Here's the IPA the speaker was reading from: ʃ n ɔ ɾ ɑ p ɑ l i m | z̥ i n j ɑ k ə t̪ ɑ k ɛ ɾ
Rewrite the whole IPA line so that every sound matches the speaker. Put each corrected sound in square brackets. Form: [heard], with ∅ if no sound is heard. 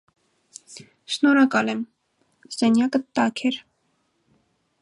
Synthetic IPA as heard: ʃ n ɔ ɾ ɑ [k] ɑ l [ɛ] m | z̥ [ɛ] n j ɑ k ə t̪ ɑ [kʰ] ɛ ɾ